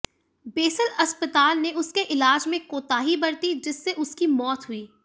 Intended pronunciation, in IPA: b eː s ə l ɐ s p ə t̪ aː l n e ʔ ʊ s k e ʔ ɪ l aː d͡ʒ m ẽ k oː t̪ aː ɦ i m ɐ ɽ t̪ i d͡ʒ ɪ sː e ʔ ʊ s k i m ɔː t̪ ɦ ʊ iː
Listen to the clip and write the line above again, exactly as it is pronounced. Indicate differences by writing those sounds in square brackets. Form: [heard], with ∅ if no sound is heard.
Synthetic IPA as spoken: b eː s ə l ɐ s p ə t̪ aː l n e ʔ ʊ s k e ʔ ɪ l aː d͡ʒ m ẽ k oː t̪ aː ɦ i [b] ɐ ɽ t̪ i d͡ʒ ɪ sː e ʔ ʊ s k i m ɔː t̪ ɦ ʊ iː